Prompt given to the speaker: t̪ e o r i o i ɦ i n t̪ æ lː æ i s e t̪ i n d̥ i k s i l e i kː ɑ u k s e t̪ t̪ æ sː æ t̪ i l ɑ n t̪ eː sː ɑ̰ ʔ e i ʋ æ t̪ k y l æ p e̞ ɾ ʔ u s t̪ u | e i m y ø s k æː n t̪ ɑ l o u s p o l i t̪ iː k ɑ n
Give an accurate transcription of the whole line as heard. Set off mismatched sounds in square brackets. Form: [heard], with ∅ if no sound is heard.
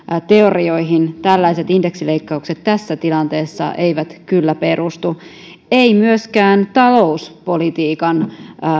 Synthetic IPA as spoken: t̪ e o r i o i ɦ i n t̪ æ lː æ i s e t̪ i n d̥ [e] k s i l e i kː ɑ u k s e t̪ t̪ æ sː æ t̪ i l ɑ n t̪ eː sː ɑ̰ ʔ e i ʋ æ t̪ k y [lː] æ p e̞ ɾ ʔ u s t̪ u | e i m y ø s k æː n t̪ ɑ l o u s p o l i t̪ iː k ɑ n